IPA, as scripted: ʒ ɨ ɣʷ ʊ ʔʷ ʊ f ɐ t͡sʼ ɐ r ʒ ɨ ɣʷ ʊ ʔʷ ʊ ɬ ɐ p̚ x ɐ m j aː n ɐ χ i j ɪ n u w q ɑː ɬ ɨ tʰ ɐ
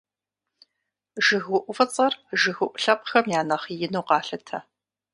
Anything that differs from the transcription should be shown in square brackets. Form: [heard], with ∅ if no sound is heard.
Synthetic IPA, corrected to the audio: ʒ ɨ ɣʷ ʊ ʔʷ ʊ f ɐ t͡sʼ ɐ r ʒ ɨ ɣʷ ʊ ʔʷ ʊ ɬ ɐ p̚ x ɐ m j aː n ɐ χ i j ɪ n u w q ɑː ɬ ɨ tʰ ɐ